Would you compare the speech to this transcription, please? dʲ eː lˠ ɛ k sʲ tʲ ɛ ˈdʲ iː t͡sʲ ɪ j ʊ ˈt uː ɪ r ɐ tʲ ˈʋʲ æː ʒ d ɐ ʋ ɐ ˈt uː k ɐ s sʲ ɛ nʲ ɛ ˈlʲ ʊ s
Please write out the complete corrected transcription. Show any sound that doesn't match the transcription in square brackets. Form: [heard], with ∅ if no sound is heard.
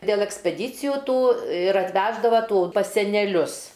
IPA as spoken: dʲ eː lˠ ɛ k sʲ [pʲ] ɛ ˈdʲ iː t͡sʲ ɪ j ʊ ˈt uː ɪ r ɐ tʲ ˈʋʲ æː ʒ d ɐ ʋ ɐ ˈt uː [p] ɐ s sʲ ɛ nʲ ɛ ˈlʲ ʊ s